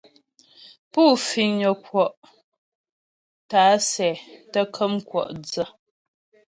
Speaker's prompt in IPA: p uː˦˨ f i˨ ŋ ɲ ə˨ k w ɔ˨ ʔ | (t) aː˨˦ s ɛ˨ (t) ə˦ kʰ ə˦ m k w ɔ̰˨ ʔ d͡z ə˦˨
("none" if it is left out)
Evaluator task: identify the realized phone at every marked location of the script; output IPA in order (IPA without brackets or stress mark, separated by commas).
t, t